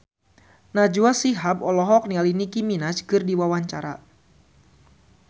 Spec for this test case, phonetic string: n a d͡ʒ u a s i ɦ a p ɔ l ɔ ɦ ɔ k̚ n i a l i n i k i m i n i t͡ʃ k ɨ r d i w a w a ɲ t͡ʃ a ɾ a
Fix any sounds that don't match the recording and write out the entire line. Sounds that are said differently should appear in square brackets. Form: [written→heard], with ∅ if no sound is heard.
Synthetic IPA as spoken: n a d͡ʒ u a s i ɦ a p ɔ l ɔ ɦ ɔ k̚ n i a l i n i k i m i n [i→a] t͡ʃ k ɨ r d i w a w a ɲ t͡ʃ a ɾ a